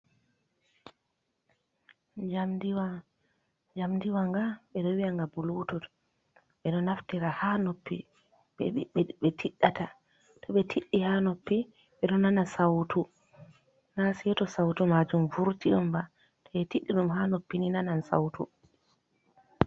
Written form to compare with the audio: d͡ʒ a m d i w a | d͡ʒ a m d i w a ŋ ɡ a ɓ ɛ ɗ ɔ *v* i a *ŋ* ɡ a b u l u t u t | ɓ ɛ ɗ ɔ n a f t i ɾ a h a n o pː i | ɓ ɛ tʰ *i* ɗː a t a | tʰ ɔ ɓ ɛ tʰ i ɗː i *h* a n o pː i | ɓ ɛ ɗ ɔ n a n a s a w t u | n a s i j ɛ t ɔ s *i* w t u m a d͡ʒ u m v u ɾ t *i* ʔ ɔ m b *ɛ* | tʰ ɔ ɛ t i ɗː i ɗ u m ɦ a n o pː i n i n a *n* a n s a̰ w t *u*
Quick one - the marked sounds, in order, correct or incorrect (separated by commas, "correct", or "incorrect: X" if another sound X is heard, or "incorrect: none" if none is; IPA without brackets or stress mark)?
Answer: incorrect: w, correct, correct, correct, incorrect: a, correct, incorrect: a, correct, correct